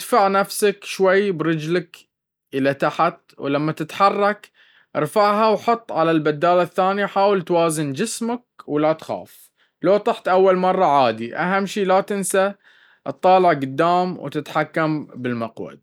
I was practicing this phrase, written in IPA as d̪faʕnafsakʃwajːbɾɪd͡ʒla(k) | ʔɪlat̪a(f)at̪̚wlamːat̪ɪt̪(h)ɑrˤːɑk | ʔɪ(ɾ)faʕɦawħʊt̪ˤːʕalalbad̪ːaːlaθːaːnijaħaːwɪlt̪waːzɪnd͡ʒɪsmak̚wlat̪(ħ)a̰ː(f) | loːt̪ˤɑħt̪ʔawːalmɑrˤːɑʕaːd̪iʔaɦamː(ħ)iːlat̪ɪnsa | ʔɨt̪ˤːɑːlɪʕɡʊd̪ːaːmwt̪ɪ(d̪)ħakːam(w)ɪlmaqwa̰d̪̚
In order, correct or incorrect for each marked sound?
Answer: correct, incorrect, incorrect, correct, incorrect, correct, incorrect, incorrect, incorrect

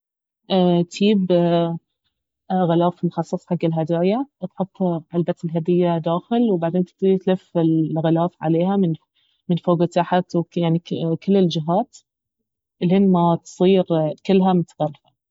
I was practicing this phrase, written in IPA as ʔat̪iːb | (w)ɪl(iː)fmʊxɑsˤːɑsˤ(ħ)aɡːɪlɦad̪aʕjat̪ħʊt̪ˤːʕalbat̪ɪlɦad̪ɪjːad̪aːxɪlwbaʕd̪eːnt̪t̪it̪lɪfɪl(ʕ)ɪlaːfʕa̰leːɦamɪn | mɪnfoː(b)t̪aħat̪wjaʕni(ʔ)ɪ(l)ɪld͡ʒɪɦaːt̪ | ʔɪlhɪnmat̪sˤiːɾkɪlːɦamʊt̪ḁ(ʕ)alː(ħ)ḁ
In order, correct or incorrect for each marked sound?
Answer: incorrect, incorrect, correct, incorrect, incorrect, incorrect, incorrect, incorrect, incorrect

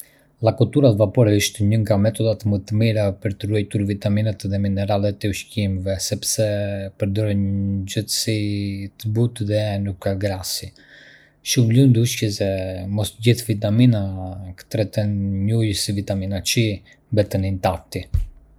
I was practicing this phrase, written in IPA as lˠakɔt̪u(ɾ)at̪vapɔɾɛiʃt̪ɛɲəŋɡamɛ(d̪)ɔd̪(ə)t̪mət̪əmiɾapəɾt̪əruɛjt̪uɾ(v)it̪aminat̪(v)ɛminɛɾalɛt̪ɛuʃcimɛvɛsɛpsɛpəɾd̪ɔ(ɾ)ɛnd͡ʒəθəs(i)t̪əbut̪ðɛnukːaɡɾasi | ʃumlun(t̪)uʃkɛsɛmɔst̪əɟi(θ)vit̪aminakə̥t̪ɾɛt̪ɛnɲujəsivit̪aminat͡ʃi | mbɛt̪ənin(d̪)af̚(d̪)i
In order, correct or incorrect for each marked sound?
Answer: correct, incorrect, incorrect, correct, incorrect, correct, correct, incorrect, correct, incorrect, incorrect

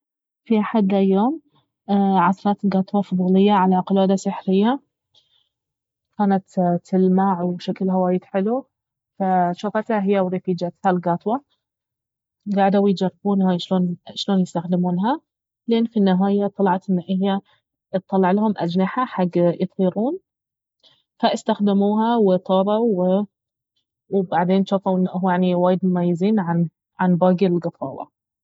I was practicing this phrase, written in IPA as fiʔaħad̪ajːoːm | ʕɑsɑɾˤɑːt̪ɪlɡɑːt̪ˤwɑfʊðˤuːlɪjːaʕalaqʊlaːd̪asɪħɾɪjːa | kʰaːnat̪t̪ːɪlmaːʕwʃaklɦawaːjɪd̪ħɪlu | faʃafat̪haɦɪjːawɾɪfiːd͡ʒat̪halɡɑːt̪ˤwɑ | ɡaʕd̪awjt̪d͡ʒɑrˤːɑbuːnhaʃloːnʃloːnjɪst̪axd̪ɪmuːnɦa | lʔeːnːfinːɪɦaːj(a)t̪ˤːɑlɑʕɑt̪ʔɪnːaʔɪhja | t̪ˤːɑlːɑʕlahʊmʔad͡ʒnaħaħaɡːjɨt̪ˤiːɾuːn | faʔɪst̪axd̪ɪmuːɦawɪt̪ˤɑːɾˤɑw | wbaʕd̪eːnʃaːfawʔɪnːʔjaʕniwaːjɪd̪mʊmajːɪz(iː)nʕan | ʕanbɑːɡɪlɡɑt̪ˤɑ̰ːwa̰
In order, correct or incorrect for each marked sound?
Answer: correct, correct

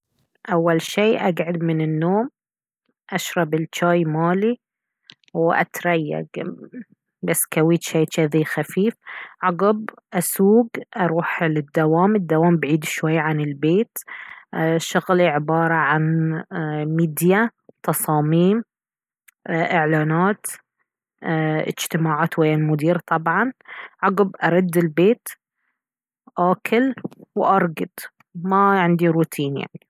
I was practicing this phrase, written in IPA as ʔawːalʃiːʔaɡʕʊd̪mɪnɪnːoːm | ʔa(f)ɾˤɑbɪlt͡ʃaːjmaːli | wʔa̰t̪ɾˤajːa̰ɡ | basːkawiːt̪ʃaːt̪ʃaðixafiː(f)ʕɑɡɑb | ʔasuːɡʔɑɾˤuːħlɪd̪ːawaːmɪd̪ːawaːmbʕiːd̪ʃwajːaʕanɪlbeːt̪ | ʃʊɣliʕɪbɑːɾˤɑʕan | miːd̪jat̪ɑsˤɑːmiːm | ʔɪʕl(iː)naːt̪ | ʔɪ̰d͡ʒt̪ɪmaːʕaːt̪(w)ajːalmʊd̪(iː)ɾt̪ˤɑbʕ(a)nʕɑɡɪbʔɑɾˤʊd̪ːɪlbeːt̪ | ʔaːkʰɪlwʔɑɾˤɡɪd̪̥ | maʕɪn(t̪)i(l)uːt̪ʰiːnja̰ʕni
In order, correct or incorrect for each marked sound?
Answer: incorrect, correct, incorrect, correct, correct, incorrect, incorrect, incorrect

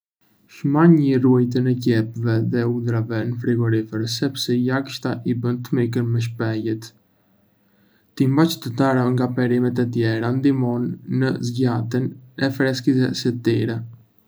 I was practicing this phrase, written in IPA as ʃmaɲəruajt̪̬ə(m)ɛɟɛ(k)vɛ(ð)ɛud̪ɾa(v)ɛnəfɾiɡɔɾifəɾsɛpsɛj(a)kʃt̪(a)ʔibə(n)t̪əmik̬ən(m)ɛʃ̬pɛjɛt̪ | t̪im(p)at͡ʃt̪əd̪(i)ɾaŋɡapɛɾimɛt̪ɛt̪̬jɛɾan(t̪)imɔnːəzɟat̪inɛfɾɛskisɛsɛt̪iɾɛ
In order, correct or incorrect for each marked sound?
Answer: incorrect, incorrect, correct, correct, correct, correct, correct, correct, incorrect, incorrect, incorrect

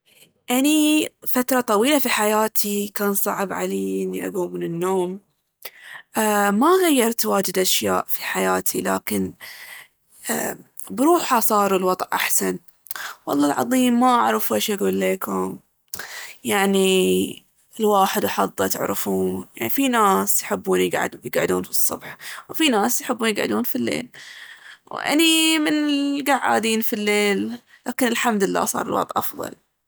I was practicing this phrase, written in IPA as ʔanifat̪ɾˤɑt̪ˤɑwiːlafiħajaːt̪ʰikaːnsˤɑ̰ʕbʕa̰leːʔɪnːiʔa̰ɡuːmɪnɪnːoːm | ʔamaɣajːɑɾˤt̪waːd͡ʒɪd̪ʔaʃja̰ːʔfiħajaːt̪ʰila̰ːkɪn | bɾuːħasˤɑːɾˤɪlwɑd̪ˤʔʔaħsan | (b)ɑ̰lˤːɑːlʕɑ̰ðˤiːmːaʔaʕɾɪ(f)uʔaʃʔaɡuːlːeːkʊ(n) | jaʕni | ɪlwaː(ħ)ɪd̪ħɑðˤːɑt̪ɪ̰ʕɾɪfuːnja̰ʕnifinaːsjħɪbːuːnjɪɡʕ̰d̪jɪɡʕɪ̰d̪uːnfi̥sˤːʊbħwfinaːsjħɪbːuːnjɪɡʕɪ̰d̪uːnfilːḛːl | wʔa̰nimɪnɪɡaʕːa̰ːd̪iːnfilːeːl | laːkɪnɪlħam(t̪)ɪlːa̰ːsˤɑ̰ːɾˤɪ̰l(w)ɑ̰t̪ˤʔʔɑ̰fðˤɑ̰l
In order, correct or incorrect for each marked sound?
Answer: incorrect, correct, incorrect, correct, incorrect, correct

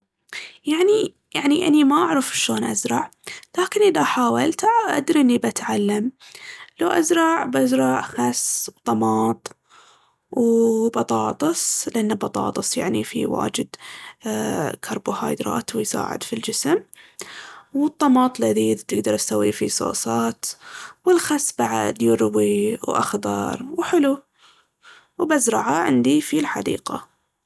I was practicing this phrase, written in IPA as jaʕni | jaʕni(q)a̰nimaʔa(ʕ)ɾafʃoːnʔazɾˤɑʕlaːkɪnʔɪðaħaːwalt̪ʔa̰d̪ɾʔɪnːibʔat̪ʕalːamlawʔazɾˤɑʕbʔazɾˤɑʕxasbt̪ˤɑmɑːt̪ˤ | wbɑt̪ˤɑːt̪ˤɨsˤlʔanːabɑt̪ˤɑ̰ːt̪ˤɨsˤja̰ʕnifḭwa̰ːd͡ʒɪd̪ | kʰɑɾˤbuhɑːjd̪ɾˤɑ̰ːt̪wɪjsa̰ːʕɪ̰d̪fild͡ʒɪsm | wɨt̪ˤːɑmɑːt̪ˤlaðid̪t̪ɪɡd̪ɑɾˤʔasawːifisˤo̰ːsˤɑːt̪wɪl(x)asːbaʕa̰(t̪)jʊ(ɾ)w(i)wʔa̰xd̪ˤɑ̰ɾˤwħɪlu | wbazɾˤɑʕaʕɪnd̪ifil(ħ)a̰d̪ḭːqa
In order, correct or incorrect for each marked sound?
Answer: incorrect, correct, correct, incorrect, correct, correct, correct

